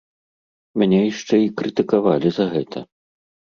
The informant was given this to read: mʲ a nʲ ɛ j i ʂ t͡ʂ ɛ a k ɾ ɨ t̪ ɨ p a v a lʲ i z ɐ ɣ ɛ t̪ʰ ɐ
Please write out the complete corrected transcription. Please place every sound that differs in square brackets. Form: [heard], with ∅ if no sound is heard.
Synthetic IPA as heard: mʲ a nʲ ɛ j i ʂ t͡ʂ ɛ [i] k ɾ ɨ t̪ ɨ [k] a v a lʲ i z ɐ ɣ ɛ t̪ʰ ɐ